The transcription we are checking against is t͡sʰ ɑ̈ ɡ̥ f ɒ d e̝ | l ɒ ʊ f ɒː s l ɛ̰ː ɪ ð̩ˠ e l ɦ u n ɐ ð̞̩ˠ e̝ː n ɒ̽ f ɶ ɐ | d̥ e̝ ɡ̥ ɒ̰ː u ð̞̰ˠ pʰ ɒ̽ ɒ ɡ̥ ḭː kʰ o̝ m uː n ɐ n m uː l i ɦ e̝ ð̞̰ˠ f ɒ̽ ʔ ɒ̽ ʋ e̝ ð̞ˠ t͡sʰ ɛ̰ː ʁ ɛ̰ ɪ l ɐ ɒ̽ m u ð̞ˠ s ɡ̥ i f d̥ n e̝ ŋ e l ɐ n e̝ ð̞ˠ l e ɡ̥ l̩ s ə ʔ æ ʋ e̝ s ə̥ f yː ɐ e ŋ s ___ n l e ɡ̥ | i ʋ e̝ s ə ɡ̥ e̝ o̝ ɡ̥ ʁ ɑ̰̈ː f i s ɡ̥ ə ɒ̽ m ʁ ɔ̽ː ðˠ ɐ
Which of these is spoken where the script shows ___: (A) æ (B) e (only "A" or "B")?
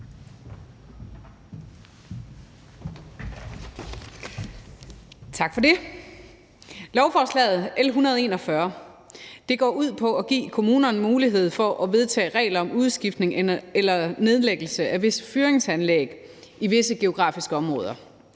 A